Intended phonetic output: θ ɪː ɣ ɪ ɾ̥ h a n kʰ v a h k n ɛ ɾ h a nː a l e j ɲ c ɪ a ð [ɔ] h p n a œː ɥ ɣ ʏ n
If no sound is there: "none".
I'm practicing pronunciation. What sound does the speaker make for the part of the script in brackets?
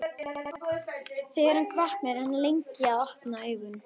ɔ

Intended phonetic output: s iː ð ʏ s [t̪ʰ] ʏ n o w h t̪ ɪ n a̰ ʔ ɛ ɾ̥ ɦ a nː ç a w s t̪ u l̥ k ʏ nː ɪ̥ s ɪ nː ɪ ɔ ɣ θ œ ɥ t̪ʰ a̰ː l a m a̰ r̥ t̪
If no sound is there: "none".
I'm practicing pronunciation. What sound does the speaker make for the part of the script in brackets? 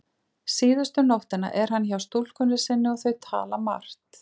t̪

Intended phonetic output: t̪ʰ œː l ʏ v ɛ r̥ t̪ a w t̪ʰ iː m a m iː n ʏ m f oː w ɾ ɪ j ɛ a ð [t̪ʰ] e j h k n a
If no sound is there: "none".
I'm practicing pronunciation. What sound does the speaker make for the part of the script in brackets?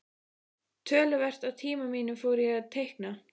t̪ʰ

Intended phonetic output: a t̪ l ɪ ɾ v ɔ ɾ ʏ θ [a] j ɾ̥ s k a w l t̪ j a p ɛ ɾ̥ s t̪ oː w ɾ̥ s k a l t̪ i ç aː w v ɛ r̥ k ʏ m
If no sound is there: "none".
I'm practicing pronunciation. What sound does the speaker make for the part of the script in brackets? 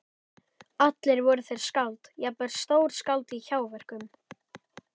e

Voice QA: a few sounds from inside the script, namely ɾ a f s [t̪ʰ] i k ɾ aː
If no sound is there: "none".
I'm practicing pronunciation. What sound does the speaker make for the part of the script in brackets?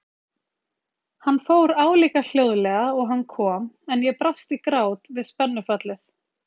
t̪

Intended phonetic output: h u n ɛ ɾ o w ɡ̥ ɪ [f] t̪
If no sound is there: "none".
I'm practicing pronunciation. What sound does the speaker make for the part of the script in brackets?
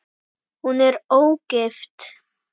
f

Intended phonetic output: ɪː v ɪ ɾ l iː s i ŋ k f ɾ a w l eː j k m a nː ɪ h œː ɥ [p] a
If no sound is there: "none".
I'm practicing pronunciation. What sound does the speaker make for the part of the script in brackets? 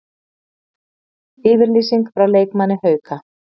k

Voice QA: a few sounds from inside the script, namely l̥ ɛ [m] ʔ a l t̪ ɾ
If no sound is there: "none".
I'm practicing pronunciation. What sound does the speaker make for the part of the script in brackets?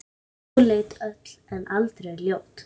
n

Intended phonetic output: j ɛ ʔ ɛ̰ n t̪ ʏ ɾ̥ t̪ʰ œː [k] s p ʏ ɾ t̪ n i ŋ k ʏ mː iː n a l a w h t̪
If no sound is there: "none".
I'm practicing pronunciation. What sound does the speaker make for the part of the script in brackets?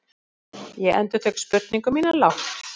k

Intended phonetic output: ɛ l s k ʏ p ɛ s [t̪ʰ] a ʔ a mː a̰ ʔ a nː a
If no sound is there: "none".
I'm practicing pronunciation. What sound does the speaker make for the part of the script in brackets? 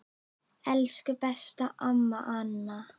t̪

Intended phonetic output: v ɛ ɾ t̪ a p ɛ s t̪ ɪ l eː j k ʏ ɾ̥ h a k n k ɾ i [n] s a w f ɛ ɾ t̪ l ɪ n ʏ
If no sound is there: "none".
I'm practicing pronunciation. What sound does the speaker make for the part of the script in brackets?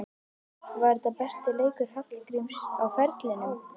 m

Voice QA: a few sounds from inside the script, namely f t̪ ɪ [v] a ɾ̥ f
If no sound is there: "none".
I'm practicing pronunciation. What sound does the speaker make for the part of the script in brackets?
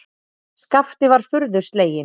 v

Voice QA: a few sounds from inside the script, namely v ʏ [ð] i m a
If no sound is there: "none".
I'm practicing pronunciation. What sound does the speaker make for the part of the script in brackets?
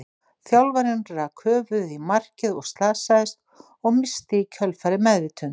ð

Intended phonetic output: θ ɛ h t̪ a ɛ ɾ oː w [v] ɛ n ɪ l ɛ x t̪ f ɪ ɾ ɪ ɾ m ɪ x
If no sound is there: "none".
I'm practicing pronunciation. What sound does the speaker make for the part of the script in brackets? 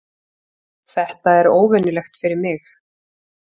v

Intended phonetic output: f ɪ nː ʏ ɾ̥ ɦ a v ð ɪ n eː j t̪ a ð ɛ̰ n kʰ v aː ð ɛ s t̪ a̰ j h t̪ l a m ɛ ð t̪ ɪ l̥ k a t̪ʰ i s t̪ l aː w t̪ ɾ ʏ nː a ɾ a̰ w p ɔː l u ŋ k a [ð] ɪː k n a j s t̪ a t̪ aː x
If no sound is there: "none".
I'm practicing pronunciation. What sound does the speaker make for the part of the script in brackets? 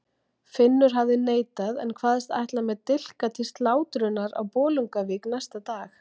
v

